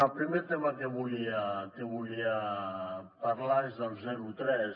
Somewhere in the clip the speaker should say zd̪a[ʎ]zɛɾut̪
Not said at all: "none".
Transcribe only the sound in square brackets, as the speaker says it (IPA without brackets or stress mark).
l